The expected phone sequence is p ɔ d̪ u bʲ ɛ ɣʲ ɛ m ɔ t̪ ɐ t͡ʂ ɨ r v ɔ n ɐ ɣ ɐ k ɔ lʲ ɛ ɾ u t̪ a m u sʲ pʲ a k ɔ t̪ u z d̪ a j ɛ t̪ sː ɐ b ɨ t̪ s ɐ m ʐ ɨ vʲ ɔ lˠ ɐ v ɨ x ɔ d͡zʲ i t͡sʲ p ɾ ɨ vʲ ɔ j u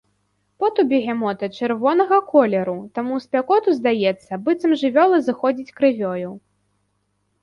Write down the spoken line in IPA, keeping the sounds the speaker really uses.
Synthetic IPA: p ɔ t̪ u bʲ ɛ ɣʲ ɛ m ɔ t̪ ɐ t͡ʂ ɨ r v ɔ n ɐ ɣ ɐ k ɔ lʲ ɛ ɾ u t̪ a m u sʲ pʲ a k ɔ t̪ u z d̪ a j ɛ t̪ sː ɐ b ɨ t̪ s ɐ m ʐ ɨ vʲ ɔ lˠ ɐ z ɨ x ɔ d͡zʲ i t͡sʲ k ɾ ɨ vʲ ɔ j u

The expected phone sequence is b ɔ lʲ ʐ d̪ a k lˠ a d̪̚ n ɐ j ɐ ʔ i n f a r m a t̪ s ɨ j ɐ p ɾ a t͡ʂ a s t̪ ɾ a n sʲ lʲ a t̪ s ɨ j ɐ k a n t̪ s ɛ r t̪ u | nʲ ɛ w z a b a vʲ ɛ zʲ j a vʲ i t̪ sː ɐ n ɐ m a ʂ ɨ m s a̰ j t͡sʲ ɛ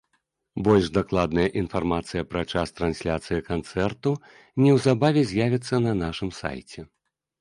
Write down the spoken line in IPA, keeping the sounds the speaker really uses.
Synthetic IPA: b ɔ lʲ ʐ d̪ a k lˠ a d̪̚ n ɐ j ɐ ʔ i n f a r m a t̪ s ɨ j ɐ p ɾ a t͡ʂ a s t̪ ɾ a n sʲ lʲ a t̪ s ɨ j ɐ k a n t̪ s ɛ r t̪ u | nʲ ɛ w z a b a vʲ ɛ zʲ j a vʲ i t̪ sː ɐ n ɐ n a ʂ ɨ m s a̰ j t͡sʲ ɛ

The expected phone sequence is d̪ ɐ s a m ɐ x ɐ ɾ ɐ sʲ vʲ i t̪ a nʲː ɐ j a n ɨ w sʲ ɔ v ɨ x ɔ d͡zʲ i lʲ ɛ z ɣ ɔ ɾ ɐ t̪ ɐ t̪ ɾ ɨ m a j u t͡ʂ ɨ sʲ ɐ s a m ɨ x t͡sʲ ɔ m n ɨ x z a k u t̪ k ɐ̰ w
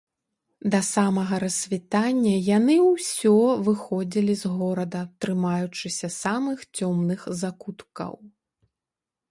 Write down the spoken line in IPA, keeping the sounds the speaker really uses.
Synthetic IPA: d̪ ɐ s a m ɐ ɣ ɐ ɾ ɐ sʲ vʲ i t̪ a nʲː ɐ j a n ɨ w sʲ ɔ v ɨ x ɔ d͡zʲ i lʲ i z ɣ ɔ ɾ ɐ d̪ ɐ t̪ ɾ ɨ m a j u t͡ʂ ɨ sʲ ɐ s a m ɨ x t͡sʲ ɔ m n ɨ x z a k u t̪ k ɐ̰ w

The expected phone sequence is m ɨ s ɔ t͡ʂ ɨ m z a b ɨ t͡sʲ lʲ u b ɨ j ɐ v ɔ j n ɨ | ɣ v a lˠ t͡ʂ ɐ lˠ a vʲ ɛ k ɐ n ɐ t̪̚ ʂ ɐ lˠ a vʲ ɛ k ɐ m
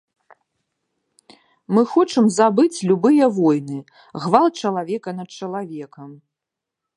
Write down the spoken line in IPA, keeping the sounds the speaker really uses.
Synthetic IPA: m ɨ x ɔ t͡ʂ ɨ m z a b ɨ t͡sʲ lʲ u b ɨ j ɐ v ɔ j n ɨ | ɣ v a lˠ t͡ʂ ɐ lˠ a vʲ ɛ k ɐ n ɐ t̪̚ t͡ʂ ɐ lˠ a vʲ ɛ k ɐ m

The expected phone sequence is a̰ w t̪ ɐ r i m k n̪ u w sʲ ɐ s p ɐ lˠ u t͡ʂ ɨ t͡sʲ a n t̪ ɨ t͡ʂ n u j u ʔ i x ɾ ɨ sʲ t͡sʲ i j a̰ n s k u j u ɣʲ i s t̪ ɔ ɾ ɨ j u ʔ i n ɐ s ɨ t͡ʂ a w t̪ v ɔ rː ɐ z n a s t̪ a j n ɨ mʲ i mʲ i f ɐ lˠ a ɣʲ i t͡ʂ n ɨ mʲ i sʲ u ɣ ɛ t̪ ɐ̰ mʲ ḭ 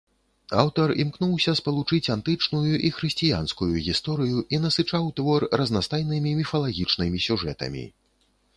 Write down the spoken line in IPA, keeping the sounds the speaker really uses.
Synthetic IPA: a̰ w t̪ ɐ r i m k n̪ u w sʲ ɐ s p ɐ lˠ u t͡ʂ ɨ t͡sʲ a n t̪ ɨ t͡ʂ n u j u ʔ i x ɾ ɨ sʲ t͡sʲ i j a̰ n s k u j u ɣʲ i s t̪ ɔ ɾ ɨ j u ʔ i n ɐ s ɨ t͡ʂ a w t̪ v ɔ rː ɐ z n a s t̪ a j n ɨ mʲ i mʲ i f ɐ lˠ a ɣʲ i t͡ʂ n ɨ mʲ i sʲ u ʐ ɛ t̪ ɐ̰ mʲ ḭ

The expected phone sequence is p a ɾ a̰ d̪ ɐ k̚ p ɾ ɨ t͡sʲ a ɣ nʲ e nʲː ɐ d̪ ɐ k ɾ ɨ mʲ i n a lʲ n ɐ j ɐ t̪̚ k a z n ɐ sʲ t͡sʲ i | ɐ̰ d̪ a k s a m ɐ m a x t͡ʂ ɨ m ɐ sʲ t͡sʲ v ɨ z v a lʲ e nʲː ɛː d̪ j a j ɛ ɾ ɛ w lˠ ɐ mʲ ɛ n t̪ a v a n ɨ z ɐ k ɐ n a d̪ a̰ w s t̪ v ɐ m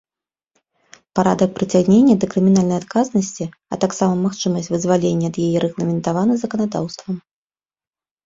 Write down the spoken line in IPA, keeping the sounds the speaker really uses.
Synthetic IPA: p a ɾ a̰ d̪ ɐ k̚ p ɾ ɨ t͡sʲ a ɣ nʲ e nʲː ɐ d̪ ɐ k ɾ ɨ mʲ i n a lʲ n ɐ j a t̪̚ k a z n ɐ sʲ t͡sʲ i | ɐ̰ t̪ a k s a m ɐ m a x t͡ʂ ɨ m ɐ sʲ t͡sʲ v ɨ z v a lʲ e nʲː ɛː d̪ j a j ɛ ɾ ɛ ɣ lˠ ɐ mʲ ɛ n t̪ a v a n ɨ z ɐ k ɐ n a d̪ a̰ w s t̪ v ɐ m

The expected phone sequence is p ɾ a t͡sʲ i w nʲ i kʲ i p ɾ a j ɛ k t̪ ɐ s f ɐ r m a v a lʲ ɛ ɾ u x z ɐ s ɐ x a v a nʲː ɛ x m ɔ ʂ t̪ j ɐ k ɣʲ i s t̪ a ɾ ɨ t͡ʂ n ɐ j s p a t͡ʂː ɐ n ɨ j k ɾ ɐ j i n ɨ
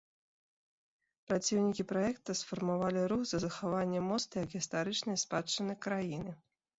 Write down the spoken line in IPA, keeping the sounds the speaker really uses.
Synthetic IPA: p ɾ a t͡sʲ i w nʲ i kʲ i p ɾ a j ɛ k t̪ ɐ s f ɐ r m a v a lʲ i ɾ u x z ɐ z ɐ x a v a nʲː ɛ m ɔ s t̪ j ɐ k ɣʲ i s t̪ a ɾ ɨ t͡ʂ n ɐ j s p a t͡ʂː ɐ n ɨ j k ɾ a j i n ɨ

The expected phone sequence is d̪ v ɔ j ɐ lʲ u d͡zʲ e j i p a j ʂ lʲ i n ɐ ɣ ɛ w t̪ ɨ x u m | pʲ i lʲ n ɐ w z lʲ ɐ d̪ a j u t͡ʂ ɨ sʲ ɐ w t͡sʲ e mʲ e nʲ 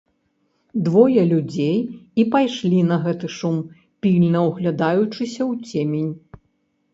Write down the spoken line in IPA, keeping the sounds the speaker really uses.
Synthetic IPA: d̪ v ɔ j ɐ lʲ u d͡zʲ e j i p a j ʂ lʲ i n ɐ ɣ ɛ t̪ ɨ ʂ u m | pʲ i lʲ n ɐ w ɣ lʲ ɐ d̪ a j u t͡ʂ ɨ sʲ ɐ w t͡sʲ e mʲ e nʲ

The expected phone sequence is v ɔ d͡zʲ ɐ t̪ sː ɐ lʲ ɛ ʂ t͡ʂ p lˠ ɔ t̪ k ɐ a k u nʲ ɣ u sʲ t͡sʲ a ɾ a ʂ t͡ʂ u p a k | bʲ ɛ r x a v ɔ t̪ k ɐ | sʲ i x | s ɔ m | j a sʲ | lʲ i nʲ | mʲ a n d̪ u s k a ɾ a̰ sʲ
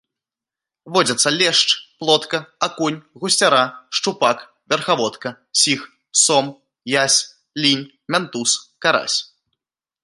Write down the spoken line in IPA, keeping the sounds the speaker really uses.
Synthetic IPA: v ɔ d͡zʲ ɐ t̪ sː ɐ lʲ ɛ ʂ t͡ʂ p lˠ ɔ t̪ k ɐ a k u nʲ ɣ u sʲ t͡sʲ a ɾ a ʂ t͡ʂ u p a k | vʲ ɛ r x a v ɔ t̪ k ɐ | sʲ i x | s ɔ m | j a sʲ | lʲ i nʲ | mʲ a n t̪ u s k a ɾ a̰ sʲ

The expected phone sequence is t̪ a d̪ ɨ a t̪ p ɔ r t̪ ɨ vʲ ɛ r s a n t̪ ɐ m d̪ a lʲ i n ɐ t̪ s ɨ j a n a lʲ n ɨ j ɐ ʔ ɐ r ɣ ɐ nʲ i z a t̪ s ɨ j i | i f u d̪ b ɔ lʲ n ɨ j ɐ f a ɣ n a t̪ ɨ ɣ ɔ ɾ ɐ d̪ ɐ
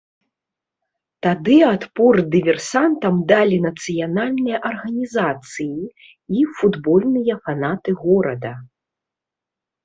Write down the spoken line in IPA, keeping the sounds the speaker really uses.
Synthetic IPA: t̪ a d̪ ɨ a t̪ p ɔ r d̪ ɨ vʲ ɛ r s a n t̪ ɐ m d̪ a lʲ i n ɐ t̪ s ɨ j a n a lʲ n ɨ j ɐ ʔ ɐ r ɣ ɐ nʲ i z a t̪ s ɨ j i | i f u d̪ b ɔ lʲ n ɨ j ɐ f a n a t̪ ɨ ɣ ɔ ɾ ɐ d̪ ɐ

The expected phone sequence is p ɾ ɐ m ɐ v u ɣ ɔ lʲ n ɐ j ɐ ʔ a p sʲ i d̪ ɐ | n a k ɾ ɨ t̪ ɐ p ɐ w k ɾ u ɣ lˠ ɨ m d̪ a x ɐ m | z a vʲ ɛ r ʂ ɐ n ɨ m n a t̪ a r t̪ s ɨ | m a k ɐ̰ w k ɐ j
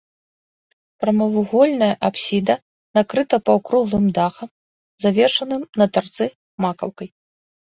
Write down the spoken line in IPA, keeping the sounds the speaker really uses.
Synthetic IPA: p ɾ ɐ m ɐ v u ɣ ɔ lʲ n ɐ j ɐ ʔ a p sʲ i d̪ ɐ | n a k ɾ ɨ t̪ ɐ p ɐ w k ɾ u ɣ lˠ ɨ m d̪ a x ɐ m | z a vʲ ɛ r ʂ ɐ n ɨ m n ɐ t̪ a r t̪ s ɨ | m a k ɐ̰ w k ɐ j

